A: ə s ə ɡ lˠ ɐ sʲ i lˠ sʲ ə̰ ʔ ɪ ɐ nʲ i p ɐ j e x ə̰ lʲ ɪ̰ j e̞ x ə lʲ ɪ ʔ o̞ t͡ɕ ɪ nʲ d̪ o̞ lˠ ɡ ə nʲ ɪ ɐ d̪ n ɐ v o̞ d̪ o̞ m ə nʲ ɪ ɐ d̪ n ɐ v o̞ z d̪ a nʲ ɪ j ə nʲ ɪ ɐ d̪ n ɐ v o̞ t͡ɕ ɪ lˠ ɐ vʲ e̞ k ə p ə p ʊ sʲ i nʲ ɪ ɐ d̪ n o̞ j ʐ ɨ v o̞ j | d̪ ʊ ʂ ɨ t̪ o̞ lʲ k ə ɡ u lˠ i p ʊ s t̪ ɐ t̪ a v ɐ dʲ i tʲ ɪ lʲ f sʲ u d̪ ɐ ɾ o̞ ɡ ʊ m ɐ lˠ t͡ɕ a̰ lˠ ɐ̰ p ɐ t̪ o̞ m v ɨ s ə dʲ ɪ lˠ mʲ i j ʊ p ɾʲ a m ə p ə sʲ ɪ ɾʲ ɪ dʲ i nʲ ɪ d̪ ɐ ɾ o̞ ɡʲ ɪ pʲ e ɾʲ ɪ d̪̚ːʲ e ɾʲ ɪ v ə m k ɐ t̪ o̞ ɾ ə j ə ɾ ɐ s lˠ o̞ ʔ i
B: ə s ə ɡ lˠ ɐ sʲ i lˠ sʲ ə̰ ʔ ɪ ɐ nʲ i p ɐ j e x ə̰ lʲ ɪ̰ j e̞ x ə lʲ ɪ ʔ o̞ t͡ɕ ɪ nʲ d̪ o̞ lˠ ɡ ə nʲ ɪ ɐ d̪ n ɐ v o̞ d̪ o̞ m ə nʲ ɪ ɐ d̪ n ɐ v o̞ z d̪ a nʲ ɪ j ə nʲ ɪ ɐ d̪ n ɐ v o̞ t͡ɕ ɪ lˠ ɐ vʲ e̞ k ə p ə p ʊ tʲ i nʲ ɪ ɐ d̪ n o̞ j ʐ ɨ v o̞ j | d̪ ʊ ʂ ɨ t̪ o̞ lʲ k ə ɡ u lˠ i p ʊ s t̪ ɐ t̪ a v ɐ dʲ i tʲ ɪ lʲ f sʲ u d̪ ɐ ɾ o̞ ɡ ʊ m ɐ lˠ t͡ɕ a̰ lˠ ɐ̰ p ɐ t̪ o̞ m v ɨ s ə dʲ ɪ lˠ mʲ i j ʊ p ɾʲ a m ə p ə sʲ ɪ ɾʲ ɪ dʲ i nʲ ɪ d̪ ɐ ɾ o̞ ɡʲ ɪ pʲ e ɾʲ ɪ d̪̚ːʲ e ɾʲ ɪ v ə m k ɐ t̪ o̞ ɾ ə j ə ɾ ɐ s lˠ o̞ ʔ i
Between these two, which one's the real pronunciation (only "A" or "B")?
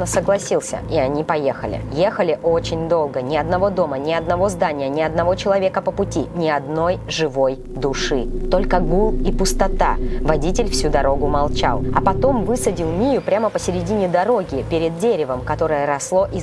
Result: B